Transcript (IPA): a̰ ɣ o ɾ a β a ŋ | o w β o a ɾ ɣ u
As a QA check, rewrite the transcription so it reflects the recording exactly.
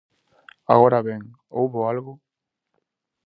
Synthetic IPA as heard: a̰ ɣ o ɾ a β e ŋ | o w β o a l ɣ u